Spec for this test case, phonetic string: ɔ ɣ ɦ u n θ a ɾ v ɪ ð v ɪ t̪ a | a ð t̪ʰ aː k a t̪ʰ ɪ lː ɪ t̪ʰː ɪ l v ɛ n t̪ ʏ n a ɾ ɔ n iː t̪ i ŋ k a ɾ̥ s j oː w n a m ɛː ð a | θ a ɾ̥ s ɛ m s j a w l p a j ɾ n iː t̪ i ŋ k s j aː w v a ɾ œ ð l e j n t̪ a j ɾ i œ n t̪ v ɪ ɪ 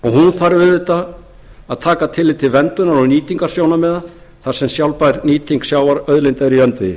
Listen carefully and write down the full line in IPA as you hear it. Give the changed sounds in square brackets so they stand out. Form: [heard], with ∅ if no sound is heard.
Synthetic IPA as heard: ɔ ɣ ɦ u n θ a ɾ v ɪ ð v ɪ t̪ a | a ð t̪ʰ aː k a t̪ʰ ɪ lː ɪ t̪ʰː ɪ l v ɛ n t̪ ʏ n a ɾ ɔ n iː t̪ i ŋ k a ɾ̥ s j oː w n a m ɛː ð a | θ a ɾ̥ s ɛ m s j a w l p a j ɾ n iː t̪ i ŋ k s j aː w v a ɾ œ ð l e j n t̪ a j ɾ i œ n t̪ v ɪ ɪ

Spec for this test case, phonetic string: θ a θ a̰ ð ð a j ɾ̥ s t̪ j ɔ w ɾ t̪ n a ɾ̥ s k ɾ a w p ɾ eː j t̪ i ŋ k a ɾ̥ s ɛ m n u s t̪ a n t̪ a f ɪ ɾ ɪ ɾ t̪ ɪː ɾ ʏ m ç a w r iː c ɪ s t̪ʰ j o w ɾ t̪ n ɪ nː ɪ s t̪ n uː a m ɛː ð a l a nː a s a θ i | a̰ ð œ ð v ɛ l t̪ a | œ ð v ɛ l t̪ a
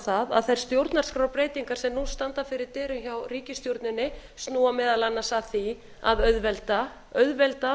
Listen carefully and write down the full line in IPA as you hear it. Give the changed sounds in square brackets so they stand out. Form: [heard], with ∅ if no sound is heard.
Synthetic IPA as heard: θ a [ð] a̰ ð [θ] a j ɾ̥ s t̪ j [o] w ɾ t̪ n a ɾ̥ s k ɾ a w p ɾ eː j t̪ i ŋ k a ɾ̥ s ɛ m n u s t̪ a n t̪ a f ɪ ɾ ɪ ɾ t̪ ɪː ɾ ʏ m ç a w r iː c ɪ s [t̪] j o w ɾ t̪ n ɪ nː ɪ s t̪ n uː a m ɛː ð a l a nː a s a θ i | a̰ ð œ ð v ɛ l t̪ a | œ ð v ɛ l t̪ a

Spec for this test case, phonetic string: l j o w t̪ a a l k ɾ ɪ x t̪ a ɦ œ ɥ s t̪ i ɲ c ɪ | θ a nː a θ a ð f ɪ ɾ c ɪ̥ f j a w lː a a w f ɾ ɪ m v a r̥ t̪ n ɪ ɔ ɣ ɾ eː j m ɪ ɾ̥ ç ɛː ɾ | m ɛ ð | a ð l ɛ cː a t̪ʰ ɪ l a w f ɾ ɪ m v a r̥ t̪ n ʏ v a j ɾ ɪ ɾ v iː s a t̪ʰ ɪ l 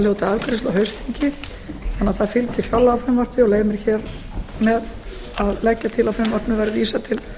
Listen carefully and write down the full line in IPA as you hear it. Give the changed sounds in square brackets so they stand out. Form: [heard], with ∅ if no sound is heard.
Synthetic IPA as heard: l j o w t̪ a a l k ɾ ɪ [s] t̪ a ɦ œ ɥ s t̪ i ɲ c ɪ | θ a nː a θ a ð f ɪ [l] c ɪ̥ f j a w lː a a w f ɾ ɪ m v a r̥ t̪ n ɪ ɔ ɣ [l] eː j m ɪ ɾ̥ ç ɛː ɾ | m ɛ ð | a ð l ɛ cː a t̪ʰ ɪ l a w f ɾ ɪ m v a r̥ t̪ n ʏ v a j ɾ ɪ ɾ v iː s a t̪ʰ ɪ l

